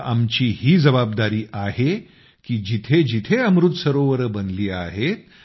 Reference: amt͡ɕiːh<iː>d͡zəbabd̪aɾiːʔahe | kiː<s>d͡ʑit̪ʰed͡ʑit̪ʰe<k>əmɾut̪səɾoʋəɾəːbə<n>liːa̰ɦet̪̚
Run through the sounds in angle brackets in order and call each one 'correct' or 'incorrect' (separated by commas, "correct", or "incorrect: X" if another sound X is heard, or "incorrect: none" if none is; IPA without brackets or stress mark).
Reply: correct, incorrect: none, incorrect: none, correct